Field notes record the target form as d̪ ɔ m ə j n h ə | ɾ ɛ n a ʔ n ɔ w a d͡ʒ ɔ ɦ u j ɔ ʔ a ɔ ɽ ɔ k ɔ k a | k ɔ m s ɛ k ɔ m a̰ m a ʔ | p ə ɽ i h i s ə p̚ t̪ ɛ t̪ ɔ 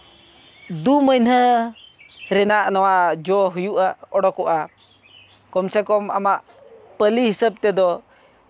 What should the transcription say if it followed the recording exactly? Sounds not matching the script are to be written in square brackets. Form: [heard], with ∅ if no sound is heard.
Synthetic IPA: d̪ [u] m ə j n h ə | ɾ ɛ n a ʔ n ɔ w a d͡ʒ ɔ ɦ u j [u] ʔ a ɔ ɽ ɔ k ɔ [ʔ] a | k ɔ m s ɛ k ɔ m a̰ m a ʔ | p ə [l] i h i s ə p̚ t̪ ɛ [d̪] ɔ

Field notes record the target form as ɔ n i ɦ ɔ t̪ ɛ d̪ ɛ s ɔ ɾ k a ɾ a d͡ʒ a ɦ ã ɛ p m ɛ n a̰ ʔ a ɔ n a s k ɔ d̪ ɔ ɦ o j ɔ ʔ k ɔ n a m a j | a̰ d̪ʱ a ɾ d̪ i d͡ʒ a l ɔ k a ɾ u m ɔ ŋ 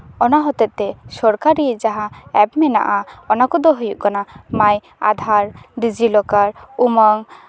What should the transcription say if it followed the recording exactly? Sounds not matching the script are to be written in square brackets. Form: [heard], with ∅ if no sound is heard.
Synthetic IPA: ɔ n [a] ɦ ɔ t̪ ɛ [t̪] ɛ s ɔ ɾ k a ɾ [i] d͡ʒ a ɦ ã ɛ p m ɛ n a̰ ʔ a ɔ n a [∅] k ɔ d̪ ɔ ɦ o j [u] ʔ k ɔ n a m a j | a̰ d̪ʱ a ɾ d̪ i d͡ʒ [i] l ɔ k a ɾ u m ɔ ŋ

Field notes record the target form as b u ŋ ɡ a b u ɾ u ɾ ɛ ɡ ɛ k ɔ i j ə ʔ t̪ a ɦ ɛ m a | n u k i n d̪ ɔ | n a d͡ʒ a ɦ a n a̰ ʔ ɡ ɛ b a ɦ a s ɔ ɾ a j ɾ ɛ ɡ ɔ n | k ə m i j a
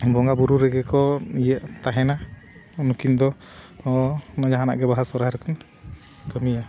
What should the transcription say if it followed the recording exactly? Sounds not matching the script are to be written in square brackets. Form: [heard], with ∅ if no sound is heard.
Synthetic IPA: b [ɔ] ŋ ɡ a b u ɾ u ɾ ɛ ɡ ɛ k ɔ i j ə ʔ t̪ a ɦ ɛ [n] a | n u k i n d̪ ɔ | n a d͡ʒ a ɦ a n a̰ ʔ ɡ ɛ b a ɦ a s ɔ ɾ a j ɾ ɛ [k] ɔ n | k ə m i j a

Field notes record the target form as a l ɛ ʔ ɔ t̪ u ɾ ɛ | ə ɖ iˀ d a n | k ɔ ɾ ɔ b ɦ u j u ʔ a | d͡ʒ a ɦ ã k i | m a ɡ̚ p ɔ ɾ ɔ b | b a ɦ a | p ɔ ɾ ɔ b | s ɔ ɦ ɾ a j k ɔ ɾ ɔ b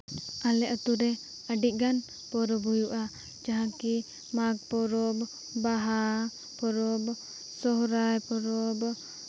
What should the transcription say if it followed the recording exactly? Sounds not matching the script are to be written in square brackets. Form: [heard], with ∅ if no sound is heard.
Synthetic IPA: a l ɛ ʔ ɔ t̪ u ɾ ɛ | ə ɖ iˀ [ɡ] a n | [p] ɔ ɾ ɔ b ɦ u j u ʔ a | d͡ʒ a ɦ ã k i | m a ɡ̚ p ɔ ɾ ɔ b | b a ɦ a | p ɔ ɾ ɔ b | s ɔ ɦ ɾ a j [p] ɔ ɾ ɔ b

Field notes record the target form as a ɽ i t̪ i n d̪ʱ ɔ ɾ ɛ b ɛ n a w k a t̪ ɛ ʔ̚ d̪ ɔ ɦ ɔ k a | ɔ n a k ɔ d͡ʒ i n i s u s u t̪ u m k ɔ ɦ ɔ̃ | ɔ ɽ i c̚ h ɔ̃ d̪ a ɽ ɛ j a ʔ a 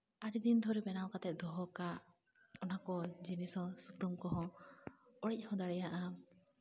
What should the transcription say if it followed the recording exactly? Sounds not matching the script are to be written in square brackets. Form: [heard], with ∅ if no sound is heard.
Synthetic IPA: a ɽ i [d̪] i n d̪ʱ ɔ ɾ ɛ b ɛ n a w k a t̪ ɛ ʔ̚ d̪ ɔ ɦ ɔ k a | ɔ n a k ɔ d͡ʒ i n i s [ɔ] s u t̪ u m k ɔ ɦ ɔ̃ | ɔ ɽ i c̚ h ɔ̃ d̪ a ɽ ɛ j a ʔ a

